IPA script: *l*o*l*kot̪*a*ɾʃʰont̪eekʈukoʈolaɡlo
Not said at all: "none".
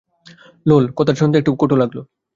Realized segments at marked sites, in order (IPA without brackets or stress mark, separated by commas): l, l, a